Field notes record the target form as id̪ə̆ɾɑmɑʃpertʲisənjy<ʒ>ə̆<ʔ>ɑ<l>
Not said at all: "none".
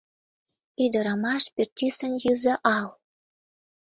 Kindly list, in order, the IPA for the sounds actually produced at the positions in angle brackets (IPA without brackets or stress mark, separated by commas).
z, ʔ, l